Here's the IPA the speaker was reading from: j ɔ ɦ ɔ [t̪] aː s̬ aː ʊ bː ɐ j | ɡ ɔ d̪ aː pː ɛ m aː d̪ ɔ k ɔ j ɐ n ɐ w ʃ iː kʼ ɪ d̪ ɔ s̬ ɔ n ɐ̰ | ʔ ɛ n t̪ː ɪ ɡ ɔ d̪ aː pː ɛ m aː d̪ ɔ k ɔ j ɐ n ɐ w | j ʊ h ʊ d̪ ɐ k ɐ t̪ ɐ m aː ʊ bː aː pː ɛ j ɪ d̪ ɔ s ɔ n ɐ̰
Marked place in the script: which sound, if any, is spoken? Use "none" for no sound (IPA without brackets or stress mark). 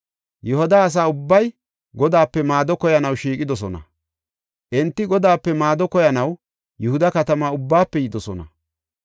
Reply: d̪